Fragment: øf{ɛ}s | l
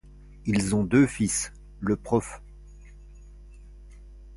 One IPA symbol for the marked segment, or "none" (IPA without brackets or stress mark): i